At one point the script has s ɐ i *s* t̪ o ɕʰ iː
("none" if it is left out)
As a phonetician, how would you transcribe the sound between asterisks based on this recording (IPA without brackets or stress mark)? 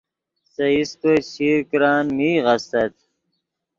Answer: s